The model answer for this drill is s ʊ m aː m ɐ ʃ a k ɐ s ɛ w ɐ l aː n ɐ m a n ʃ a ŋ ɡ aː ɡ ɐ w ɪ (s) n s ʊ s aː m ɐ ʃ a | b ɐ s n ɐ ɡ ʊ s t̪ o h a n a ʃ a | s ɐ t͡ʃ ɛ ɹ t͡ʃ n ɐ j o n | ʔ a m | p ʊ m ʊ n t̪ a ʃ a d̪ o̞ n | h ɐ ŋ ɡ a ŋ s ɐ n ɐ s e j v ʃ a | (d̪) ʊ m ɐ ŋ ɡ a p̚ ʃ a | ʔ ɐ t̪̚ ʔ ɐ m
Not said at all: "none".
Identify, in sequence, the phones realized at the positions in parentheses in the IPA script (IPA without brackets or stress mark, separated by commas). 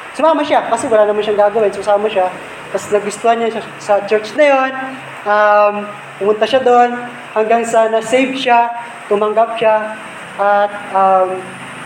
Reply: none, t̪